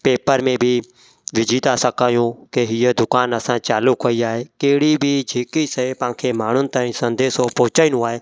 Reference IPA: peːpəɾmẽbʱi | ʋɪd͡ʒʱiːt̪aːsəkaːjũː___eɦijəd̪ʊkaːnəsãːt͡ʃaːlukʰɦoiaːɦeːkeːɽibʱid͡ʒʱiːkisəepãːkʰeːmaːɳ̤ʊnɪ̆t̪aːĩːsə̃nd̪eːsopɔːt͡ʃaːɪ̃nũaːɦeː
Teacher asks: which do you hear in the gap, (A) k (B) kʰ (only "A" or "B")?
A